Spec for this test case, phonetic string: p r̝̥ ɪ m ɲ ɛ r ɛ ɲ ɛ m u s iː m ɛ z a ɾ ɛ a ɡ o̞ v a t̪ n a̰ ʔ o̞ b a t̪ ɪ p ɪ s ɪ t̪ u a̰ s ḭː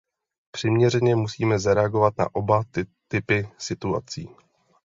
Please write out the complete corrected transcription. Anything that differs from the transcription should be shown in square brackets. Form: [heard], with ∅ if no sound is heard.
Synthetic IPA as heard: p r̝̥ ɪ m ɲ ɛ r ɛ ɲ ɛ m u s iː m ɛ z a ɾ ɛ a ɡ o̞ v a t̪ n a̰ ʔ o̞ b a t̪ ɪ p ɪ s ɪ t̪ u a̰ [t͡s] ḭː